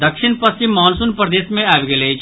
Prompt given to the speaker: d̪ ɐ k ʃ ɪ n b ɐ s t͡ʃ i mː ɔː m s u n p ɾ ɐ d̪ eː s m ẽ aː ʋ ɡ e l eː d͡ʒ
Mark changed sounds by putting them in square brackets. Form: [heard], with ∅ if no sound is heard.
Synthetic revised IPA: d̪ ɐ k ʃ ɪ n [p] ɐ s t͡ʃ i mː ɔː [n] s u n p ɾ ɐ d̪ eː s m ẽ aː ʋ ɡ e l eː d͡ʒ

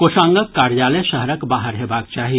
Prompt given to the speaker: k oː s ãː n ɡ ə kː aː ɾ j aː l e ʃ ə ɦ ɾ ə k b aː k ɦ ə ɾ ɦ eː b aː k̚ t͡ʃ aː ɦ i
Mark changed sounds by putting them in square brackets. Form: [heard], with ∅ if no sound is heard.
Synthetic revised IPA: k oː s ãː [ŋ] ɡ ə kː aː ɾ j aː l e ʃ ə ɦ ɾ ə k b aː [∅] ɦ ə ɾ ɦ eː b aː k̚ t͡ʃ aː ɦ i

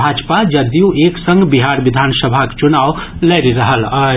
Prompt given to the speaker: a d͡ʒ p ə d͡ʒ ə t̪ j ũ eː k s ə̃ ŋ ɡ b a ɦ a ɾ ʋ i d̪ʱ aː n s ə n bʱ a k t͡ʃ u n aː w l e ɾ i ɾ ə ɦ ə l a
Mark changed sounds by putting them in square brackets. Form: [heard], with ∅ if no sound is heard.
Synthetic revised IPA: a d͡ʒ p [a] d͡ʒ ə [d̪] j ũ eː k s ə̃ ŋ ɡ b [i] ɦ a ɾ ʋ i d̪ʱ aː n s ə [∅] bʱ a k t͡ʃ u n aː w l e ɾ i ɾ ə ɦ ə l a

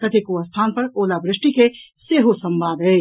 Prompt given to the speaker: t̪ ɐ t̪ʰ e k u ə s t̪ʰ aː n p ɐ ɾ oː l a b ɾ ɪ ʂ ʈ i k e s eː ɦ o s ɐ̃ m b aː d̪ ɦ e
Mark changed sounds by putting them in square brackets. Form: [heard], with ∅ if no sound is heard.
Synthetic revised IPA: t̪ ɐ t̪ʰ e k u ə s t̪ʰ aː n p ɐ ɾ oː l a b ɾ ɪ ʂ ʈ i k e s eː ɦ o s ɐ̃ m b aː d̪ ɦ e

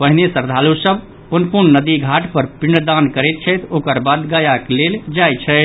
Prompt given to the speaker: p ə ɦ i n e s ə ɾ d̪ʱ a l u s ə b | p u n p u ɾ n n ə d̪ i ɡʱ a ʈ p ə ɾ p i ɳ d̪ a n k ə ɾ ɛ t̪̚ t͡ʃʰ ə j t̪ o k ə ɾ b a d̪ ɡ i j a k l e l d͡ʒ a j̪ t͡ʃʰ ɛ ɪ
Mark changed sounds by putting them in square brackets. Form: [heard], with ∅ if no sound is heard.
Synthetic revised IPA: p ə ɦ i n e s ə ɾ d̪ʱ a l u s ə b | p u n p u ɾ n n ə d̪ i ɡʱ a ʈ p ə ɾ p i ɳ d̪ a n k ə ɾ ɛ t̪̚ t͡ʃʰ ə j t̪ o k ə ɾ b a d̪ ɡ [a] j a k l e l d͡ʒ a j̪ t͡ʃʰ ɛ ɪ

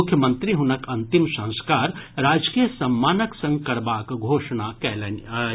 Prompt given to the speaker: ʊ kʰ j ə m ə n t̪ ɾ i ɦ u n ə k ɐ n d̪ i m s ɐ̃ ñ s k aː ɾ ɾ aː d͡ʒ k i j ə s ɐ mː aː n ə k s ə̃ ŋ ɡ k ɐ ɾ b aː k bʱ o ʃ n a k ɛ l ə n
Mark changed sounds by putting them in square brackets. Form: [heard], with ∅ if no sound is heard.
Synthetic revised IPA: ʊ kʰ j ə m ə n t̪ ɾ i ɦ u n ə k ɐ n [t̪] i m s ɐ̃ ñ s k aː ɾ ɾ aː d͡ʒ k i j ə s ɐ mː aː n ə k s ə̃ ŋ ɡ k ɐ ɾ b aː k [ɡʱ] o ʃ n a k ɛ l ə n

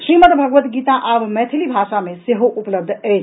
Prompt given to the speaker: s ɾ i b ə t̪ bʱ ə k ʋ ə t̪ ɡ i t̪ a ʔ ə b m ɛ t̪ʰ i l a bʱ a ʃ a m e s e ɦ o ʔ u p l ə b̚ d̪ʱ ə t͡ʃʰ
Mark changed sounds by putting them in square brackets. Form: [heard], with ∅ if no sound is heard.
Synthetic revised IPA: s ɾ i [m] ə t̪ bʱ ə [ɡ] ʋ ə t̪ ɡ i t̪ a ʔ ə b m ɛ t̪ʰ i l [i] bʱ a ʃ a m e s e ɦ o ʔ u p l ə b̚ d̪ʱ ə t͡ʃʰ

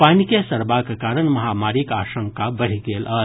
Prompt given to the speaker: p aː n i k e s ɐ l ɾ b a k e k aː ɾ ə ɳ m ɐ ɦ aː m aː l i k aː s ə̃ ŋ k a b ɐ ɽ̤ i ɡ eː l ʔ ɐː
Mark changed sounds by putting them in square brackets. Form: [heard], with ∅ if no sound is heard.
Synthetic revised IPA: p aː n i k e s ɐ [∅] ɾ b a k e k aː ɾ ə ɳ m ɐ ɦ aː m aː [ɾ] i k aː [ʃ] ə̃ ŋ k a b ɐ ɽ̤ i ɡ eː l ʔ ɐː

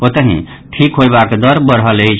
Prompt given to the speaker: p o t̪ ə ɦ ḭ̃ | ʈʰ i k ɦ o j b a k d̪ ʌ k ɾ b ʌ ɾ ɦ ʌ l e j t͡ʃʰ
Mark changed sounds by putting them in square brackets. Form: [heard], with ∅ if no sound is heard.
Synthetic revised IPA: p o t̪ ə ɦ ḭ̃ | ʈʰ i k ɦ o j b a k d̪ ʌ [∅] ɾ b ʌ ɾ ɦ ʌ l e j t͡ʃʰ

